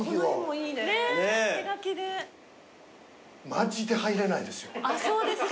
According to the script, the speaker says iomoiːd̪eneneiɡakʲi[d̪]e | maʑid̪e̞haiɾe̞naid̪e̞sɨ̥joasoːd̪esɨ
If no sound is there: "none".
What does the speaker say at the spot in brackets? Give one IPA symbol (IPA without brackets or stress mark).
d̪